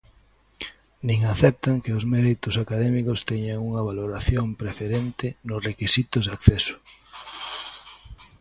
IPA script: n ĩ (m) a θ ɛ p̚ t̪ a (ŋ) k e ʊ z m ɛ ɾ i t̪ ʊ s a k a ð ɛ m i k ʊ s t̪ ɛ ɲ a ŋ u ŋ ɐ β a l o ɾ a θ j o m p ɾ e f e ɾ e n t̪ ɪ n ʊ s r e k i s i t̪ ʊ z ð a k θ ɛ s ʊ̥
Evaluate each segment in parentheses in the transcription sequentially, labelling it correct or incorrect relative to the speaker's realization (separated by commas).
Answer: incorrect, correct